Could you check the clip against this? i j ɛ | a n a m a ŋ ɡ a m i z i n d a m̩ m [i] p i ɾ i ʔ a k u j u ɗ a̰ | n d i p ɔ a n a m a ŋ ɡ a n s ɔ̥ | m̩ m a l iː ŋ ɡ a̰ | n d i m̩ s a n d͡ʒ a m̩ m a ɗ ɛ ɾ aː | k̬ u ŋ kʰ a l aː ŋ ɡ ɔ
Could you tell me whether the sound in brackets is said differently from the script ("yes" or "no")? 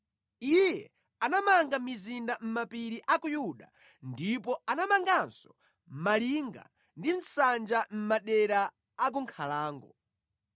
yes